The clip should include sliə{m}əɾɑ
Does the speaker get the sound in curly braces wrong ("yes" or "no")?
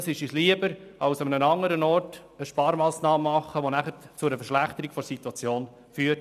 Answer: yes